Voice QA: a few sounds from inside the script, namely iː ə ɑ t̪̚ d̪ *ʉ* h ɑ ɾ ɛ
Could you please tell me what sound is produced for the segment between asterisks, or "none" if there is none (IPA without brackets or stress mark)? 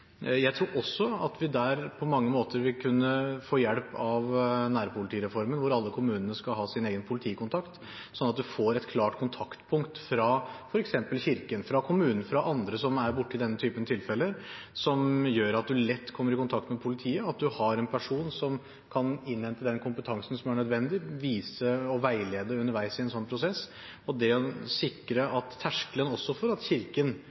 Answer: ʉ